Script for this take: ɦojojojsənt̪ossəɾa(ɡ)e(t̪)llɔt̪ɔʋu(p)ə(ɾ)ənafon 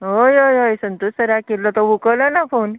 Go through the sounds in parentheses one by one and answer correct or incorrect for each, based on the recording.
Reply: incorrect, incorrect, incorrect, incorrect

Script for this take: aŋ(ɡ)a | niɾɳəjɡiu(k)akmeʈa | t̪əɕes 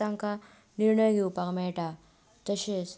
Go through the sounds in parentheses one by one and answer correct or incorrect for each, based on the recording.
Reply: incorrect, incorrect

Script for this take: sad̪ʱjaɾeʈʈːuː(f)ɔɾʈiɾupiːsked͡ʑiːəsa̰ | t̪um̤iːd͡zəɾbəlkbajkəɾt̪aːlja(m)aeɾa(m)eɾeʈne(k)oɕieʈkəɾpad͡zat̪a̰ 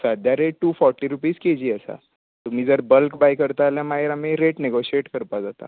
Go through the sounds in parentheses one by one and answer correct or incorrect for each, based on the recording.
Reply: correct, correct, correct, incorrect

